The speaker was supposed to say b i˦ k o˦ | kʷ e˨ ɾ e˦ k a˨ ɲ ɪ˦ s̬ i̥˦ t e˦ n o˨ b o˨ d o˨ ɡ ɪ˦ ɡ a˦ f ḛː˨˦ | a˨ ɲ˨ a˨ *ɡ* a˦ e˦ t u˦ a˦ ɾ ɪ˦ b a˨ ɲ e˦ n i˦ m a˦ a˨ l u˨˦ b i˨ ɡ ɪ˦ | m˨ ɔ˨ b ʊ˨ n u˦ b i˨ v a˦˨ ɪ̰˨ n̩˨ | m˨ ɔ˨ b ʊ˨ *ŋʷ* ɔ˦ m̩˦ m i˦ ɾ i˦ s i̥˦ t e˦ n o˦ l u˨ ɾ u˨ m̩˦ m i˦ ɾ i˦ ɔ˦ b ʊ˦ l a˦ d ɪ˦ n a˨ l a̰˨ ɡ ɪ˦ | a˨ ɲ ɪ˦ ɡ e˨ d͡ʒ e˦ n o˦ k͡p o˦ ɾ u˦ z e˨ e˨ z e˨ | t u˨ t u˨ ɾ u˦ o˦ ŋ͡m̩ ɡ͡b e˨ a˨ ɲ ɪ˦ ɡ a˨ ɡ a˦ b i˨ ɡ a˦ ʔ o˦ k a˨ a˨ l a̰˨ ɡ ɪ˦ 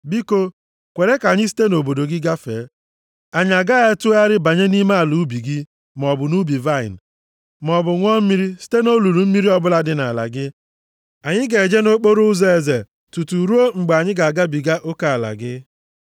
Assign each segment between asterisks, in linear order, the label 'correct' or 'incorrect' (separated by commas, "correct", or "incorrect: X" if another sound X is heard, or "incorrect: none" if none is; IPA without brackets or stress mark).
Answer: correct, correct